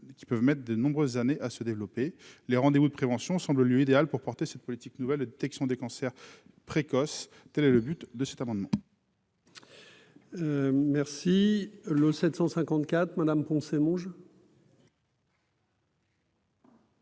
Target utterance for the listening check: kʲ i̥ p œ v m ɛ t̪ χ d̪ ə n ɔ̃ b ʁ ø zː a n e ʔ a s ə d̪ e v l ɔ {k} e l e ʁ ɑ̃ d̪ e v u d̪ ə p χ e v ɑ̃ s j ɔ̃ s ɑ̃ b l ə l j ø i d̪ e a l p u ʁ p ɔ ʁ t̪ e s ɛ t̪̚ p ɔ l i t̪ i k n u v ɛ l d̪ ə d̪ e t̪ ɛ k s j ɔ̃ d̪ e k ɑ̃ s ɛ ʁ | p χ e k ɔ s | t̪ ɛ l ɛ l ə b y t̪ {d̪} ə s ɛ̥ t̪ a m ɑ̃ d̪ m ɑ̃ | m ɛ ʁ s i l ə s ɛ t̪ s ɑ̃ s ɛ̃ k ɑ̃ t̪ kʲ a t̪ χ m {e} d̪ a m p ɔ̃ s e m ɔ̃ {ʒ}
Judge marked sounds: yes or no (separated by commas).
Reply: no, yes, no, yes